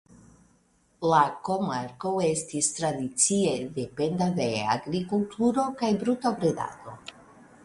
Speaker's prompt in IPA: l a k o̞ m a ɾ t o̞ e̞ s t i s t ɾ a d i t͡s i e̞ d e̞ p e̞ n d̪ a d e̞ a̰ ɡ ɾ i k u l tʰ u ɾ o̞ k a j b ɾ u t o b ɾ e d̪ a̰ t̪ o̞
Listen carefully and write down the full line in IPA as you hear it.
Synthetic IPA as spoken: l a k o̞ m a ɾ k o̞ e̞ s t i s t ɾ a d i t͡s i e̞ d e̞ p e̞ n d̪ a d e̞ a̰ ɡ ɾ i k u l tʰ u ɾ o̞ k a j b ɾ u t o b ɾ e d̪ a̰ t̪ o̞